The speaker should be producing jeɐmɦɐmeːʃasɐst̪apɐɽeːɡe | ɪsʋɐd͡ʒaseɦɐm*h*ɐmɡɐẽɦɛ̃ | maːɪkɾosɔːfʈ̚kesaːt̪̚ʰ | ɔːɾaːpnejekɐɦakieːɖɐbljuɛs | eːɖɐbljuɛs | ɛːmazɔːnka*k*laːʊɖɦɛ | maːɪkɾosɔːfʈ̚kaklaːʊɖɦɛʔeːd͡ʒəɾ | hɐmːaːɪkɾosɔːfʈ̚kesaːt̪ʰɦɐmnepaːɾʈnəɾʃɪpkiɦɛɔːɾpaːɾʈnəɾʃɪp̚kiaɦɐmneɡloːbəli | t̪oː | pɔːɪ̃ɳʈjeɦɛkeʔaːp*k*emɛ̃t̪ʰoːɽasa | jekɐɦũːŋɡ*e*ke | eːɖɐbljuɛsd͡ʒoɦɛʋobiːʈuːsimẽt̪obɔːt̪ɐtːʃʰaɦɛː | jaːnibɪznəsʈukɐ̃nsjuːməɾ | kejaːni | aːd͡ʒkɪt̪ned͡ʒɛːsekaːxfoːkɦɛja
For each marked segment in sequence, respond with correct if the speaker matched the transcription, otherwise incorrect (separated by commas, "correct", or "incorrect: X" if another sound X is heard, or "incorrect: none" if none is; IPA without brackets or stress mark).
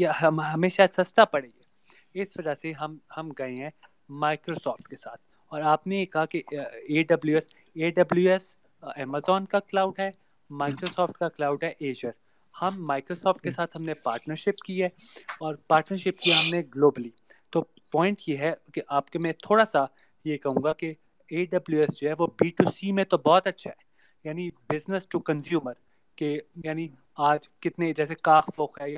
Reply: correct, correct, correct, incorrect: a